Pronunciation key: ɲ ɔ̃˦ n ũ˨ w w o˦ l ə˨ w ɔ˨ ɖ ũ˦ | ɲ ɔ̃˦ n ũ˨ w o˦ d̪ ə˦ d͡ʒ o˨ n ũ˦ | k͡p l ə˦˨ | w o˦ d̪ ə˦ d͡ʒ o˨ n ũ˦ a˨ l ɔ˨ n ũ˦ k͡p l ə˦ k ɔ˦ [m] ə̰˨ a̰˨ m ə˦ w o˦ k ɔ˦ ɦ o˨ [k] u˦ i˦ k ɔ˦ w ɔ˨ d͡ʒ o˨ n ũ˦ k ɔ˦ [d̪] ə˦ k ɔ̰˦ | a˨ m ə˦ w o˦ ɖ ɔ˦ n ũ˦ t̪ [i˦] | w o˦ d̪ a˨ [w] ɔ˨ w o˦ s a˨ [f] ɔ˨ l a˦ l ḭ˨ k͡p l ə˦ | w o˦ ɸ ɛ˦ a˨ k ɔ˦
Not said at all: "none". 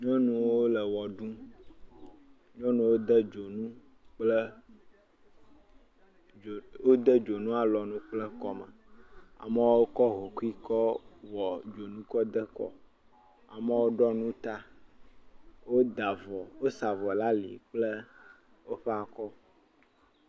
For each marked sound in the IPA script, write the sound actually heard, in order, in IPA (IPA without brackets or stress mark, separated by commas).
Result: m, k, d̪, a˦, v, v